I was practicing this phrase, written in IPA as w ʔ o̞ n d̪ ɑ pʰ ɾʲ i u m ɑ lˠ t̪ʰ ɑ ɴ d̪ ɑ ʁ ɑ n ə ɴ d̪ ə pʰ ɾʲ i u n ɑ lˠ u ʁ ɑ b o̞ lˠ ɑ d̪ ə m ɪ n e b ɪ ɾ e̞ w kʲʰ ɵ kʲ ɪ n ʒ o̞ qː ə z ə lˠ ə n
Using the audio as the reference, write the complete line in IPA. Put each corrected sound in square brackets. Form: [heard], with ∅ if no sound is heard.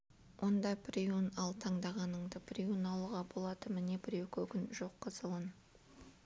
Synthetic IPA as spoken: w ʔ o̞ n d̪ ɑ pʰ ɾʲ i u [n] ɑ lˠ t̪ʰ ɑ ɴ d̪ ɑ ʁ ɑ n ə ɴ d̪ ə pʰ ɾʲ i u n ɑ lˠ u ʁ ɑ b o̞ lˠ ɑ d̪ ə m ɪ n e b ɪ ɾ e̞ w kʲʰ ɵ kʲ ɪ n ʒ o̞ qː ə z ə lˠ ə n